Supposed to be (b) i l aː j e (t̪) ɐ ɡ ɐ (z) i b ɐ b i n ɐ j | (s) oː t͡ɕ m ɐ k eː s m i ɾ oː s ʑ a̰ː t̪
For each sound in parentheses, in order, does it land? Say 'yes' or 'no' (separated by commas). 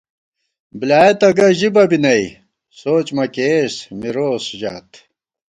yes, yes, no, yes